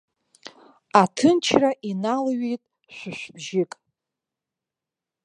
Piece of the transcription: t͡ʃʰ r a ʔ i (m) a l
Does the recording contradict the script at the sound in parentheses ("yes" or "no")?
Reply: yes